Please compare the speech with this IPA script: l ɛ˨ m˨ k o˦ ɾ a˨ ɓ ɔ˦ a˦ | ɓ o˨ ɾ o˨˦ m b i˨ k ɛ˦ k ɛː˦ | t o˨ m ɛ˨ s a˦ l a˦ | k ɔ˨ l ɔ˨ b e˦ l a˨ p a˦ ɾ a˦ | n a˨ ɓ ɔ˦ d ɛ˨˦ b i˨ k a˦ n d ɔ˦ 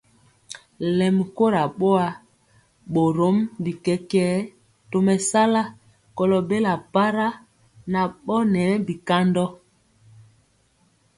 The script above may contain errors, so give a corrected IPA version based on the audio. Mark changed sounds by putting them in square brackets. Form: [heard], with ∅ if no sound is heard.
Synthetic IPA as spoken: l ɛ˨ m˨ k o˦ ɾ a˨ ɓ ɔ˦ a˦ | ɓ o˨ ɾ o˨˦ m b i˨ k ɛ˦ k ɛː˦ | t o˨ m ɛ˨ s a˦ l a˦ | k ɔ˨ l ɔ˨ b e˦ l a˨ p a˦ ɾ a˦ | n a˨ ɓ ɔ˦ [n] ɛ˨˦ b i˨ k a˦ n d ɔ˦